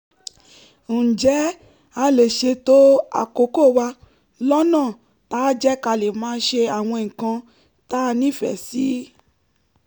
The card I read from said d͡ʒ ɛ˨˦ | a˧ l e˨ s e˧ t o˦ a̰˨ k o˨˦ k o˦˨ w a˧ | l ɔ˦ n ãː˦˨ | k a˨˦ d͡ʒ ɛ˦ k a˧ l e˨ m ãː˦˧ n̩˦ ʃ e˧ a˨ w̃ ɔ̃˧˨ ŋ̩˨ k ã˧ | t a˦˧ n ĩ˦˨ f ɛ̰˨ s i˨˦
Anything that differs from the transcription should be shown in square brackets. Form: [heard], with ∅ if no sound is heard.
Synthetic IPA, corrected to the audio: d͡ʒ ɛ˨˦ | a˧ l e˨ [ʃ] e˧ t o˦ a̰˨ k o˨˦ k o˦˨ w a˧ | l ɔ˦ n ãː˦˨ | [t] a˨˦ d͡ʒ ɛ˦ k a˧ l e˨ m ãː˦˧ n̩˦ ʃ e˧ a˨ w̃ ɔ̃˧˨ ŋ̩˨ k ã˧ | t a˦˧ n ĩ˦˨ f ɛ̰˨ s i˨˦

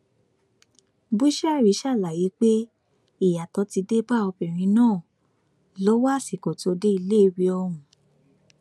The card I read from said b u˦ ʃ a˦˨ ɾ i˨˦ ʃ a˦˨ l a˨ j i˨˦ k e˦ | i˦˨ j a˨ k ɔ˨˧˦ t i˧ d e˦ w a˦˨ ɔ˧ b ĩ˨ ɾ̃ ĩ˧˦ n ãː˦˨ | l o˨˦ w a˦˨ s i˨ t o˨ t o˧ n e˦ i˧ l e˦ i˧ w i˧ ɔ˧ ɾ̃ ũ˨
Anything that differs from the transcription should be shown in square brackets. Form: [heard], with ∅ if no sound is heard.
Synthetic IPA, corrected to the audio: b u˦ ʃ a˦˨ ɾ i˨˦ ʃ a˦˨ l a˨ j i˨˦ [k͡p] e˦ | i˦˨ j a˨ [t] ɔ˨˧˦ t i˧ d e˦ [b] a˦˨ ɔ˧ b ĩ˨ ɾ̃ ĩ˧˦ n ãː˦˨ | l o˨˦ w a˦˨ s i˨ [k] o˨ t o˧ [d] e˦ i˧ l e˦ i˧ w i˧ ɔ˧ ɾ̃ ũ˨

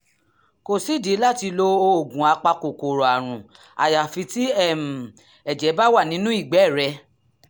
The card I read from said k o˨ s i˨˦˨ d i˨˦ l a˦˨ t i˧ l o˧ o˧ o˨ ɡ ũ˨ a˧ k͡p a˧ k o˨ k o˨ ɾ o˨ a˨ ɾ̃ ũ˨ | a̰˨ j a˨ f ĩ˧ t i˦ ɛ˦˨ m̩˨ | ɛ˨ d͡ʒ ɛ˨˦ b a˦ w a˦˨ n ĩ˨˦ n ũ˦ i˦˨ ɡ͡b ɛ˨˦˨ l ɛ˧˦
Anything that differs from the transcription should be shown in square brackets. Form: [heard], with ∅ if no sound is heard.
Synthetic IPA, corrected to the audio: k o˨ s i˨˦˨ d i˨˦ l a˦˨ t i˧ l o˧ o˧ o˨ ɡ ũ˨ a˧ k͡p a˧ k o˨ k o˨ ɾ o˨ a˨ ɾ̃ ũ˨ | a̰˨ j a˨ f [i˧] t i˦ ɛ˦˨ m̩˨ | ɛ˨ d͡ʒ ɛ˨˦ b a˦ w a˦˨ n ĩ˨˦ n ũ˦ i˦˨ ɡ͡b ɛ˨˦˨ [ɾ] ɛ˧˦

